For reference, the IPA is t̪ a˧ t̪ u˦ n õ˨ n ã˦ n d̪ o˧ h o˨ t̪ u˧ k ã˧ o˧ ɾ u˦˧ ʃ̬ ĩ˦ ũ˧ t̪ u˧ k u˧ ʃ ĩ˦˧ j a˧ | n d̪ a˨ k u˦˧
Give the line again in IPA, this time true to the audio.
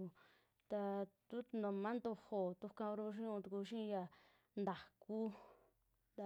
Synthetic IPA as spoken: t̪ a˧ t̪ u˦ n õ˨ m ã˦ n d̪ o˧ h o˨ t̪ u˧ k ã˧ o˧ ɾ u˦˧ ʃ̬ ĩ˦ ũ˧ t̪ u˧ k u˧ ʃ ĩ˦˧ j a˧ | n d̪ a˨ k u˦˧